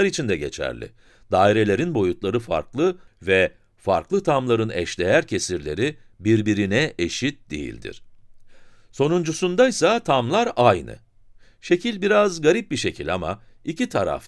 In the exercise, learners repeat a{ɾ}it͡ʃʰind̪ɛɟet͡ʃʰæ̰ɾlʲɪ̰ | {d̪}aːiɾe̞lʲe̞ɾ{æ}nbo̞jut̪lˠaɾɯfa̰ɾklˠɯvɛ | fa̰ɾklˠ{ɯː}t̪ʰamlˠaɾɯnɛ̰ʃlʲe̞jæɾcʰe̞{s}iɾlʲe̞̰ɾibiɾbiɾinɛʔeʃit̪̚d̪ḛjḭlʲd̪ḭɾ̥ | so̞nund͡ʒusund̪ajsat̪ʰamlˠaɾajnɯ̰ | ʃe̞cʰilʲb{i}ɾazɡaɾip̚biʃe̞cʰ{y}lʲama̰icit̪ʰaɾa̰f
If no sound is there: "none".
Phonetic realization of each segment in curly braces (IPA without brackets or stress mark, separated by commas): ɾ, d̪, i, ɯ, s, i, i